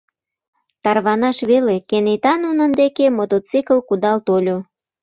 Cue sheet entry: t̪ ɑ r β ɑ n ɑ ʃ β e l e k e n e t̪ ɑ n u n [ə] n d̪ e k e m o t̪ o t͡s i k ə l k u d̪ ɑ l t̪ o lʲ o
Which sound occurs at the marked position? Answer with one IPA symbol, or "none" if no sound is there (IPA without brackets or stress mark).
ə